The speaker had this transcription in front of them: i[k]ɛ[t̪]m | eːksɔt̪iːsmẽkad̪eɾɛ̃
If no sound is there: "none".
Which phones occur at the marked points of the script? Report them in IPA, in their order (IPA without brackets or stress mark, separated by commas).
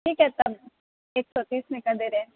k, t̪